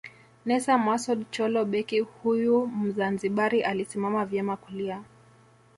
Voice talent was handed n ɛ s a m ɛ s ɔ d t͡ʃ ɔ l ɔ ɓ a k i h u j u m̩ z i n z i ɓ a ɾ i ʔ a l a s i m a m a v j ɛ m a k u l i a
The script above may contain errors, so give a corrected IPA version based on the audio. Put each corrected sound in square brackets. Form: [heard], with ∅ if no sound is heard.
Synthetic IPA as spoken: n ɛ s a m [a] s ɔ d t͡ʃ ɔ l ɔ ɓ [ɛ] k i h u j u m̩ z [a] n z i ɓ a ɾ i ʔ a l [i] s i m a m a v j ɛ m a k u l i a